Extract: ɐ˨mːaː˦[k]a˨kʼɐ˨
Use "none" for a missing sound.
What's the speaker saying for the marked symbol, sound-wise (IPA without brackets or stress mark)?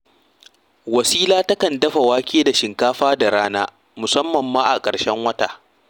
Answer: ʔ